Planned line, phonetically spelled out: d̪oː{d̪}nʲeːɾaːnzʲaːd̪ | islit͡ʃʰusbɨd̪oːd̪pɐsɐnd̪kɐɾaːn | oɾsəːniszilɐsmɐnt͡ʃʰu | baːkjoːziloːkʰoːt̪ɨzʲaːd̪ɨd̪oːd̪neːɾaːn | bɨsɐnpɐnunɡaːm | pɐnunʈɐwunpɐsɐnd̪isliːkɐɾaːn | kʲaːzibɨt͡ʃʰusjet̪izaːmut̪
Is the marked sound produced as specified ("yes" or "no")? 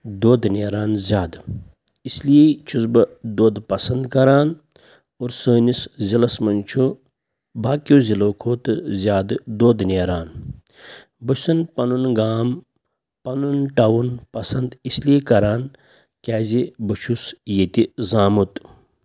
yes